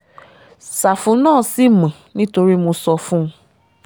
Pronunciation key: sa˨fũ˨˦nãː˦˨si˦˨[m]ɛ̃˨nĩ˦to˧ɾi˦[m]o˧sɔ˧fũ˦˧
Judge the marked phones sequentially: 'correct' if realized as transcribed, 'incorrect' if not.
correct, correct

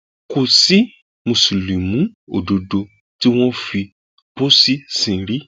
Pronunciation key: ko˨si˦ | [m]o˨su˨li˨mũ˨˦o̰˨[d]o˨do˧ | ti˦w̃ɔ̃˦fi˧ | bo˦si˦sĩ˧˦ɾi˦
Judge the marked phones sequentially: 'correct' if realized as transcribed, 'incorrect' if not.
correct, correct

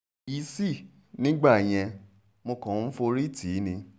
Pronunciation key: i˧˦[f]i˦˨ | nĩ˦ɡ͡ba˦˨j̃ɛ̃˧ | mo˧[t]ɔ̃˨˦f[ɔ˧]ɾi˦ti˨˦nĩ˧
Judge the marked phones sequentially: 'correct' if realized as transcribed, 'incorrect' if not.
incorrect, incorrect, incorrect

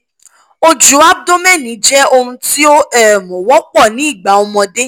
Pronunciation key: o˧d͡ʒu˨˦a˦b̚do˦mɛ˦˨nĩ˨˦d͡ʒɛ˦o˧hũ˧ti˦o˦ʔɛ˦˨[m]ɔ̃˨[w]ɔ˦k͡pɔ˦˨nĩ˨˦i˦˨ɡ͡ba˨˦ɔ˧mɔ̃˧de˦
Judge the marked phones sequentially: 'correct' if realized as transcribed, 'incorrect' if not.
correct, correct

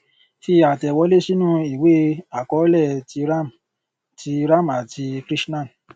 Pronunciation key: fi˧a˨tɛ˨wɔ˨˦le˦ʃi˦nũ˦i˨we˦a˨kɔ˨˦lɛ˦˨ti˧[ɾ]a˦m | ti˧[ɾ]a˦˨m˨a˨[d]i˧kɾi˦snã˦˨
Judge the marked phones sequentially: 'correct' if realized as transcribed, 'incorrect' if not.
correct, correct, incorrect

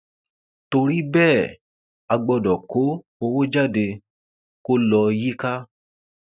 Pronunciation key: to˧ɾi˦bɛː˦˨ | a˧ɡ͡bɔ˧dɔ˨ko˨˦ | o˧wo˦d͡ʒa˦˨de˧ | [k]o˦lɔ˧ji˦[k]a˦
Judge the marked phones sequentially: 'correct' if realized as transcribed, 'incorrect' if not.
correct, correct

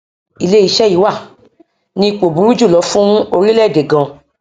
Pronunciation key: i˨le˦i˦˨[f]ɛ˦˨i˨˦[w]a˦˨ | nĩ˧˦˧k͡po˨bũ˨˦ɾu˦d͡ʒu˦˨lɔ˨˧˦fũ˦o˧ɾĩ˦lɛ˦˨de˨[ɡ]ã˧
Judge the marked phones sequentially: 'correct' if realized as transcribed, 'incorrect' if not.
incorrect, correct, correct

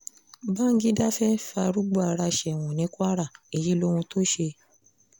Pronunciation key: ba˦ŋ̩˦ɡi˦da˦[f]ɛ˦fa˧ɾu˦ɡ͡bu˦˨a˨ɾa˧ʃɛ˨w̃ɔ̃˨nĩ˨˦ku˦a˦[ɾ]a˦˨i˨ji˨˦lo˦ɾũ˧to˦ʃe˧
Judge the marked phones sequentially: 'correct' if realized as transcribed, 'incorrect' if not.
correct, correct

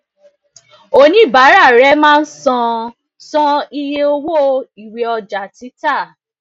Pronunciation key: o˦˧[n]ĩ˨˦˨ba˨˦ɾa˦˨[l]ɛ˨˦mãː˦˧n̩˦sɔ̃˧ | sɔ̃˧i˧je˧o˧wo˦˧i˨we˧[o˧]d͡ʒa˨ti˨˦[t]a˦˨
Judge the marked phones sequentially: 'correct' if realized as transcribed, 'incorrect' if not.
correct, incorrect, incorrect, correct

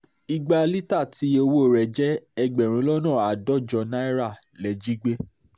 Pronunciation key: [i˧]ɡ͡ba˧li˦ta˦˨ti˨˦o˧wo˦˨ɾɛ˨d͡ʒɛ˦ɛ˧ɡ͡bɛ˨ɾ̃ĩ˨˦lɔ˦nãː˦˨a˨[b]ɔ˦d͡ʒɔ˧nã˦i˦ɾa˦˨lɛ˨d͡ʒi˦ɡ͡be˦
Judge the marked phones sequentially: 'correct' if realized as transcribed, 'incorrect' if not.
correct, incorrect

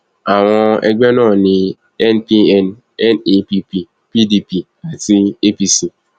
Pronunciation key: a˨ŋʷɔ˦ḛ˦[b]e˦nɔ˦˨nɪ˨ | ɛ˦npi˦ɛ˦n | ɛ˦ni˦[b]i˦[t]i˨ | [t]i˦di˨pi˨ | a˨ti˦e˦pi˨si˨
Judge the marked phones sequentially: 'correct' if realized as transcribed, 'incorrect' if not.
incorrect, incorrect, incorrect, incorrect

